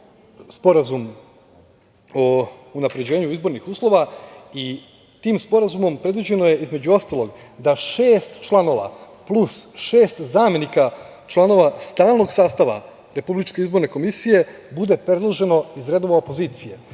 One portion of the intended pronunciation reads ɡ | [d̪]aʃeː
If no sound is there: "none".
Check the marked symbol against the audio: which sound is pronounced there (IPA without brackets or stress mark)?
d̪